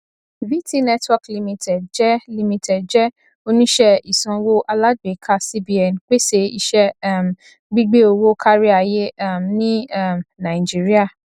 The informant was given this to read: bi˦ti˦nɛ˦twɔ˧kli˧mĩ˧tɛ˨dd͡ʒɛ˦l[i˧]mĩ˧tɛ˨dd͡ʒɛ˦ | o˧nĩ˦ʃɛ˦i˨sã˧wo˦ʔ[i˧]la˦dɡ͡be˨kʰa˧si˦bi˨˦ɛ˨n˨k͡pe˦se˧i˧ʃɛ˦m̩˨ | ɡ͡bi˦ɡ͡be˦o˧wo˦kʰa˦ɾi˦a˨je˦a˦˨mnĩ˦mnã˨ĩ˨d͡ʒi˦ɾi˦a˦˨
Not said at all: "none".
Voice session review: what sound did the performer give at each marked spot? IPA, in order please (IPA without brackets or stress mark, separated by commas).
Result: i˧, a˧